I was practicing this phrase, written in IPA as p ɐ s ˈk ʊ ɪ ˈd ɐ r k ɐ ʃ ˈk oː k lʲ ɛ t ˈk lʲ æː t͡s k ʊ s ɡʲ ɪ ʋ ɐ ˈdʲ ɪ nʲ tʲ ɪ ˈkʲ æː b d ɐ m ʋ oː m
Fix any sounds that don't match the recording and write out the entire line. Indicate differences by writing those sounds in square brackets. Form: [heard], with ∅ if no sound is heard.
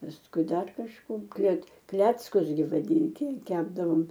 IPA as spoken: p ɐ s ˈk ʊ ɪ ˈd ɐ r k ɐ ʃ ˈk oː k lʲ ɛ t ˈk lʲ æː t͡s k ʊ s ɡʲ ɪ ʋ ɐ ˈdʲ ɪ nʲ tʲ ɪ ˈkʲ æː b d ɐ [∅] ʋ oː m